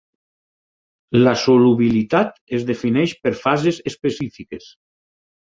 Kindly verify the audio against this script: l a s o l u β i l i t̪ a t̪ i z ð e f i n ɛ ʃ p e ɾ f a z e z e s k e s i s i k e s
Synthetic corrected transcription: l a s o l u β i l i t̪ a t̪ e z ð e f i n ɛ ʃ p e ɾ f a z e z e s p e s i f i k e s